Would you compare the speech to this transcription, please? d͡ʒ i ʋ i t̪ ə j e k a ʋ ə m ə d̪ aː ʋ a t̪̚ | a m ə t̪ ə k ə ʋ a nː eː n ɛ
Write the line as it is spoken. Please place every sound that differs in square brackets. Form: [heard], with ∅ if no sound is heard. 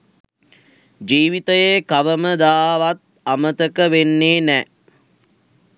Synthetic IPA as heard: d͡ʒ [iː] ʋ i t̪ ə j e k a ʋ ə m ə d̪ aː ʋ a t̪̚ | a m ə t̪ ə k ə ʋ [e] nː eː n ɛ